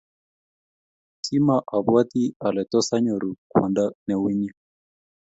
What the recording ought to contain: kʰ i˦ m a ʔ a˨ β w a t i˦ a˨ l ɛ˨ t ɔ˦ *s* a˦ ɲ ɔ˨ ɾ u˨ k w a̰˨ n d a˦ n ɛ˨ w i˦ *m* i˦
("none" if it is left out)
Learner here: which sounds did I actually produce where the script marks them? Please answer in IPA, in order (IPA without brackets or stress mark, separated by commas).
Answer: s, ɲ